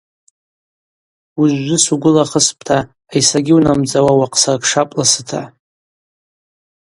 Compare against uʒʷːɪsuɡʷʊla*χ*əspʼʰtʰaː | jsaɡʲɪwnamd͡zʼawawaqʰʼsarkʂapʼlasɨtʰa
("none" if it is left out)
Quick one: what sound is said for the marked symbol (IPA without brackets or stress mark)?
χ